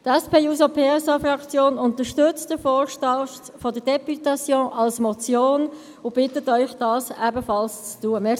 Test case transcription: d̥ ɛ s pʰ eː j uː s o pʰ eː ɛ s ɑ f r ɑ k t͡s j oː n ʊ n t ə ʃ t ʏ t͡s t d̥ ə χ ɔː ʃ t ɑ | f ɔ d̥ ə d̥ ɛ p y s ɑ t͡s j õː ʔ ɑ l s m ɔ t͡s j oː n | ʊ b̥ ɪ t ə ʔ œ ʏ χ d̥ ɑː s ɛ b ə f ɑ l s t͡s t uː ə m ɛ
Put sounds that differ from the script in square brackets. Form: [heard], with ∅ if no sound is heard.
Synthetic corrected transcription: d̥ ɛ s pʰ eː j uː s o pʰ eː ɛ s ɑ f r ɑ k t͡s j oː n ʊ n t ə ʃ t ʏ t͡s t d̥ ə [f] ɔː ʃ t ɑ | f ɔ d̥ ə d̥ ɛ p y [t] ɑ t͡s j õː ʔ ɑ l s m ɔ t͡s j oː n | ʊ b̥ ɪ t ə [t] œ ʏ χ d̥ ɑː s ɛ b ə f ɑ l s t͡s t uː ə m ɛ

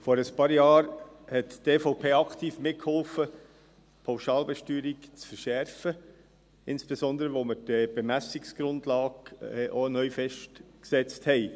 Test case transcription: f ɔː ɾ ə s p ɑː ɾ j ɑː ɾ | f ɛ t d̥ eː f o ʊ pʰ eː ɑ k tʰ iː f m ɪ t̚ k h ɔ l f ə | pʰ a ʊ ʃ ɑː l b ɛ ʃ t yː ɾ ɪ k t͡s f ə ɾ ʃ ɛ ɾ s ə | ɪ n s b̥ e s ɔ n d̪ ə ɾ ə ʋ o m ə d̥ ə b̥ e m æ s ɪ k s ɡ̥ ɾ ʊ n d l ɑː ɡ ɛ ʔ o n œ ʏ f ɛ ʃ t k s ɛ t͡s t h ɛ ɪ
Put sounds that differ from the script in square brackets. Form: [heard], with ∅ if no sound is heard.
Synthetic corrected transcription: f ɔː ɾ ə s p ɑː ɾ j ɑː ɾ | [h] ɛ t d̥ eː f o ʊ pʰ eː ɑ k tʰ iː f m ɪ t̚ k h ɔ l f ə | pʰ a ʊ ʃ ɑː l b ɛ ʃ t yː ɾ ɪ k t͡s f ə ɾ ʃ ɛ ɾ [f] ə | ɪ n s b̥ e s ɔ n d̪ ə ɾ ə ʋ o m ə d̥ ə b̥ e m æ s ɪ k s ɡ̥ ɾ ʊ n d l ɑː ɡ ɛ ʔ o n œ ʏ f ɛ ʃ t k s ɛ t͡s t h ɛ ɪ

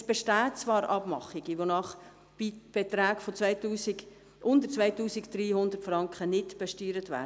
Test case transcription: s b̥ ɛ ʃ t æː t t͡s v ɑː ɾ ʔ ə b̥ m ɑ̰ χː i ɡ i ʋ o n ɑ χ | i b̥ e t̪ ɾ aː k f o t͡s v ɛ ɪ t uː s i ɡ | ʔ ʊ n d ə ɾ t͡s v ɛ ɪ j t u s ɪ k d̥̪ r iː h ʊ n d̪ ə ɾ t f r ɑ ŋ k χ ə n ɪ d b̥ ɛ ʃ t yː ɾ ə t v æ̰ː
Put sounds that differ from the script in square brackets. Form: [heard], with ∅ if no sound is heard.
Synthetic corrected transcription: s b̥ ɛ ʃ t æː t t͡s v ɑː ɾ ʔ [ɑ] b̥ m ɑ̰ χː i ɡ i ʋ o n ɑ χ | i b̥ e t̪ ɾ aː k f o t͡s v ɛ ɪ t uː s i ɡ | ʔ ʊ n d ə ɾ t͡s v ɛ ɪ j t [uː] s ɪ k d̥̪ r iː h ʊ n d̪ ə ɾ t f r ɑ ŋ k χ ə n ɪ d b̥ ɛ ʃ t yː ɾ ə t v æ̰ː

